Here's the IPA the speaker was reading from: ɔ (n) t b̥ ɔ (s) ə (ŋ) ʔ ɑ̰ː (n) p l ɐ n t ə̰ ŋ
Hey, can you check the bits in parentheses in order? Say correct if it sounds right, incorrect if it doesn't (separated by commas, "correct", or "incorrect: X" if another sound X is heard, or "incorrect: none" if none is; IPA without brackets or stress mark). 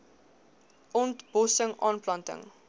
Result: correct, correct, correct, correct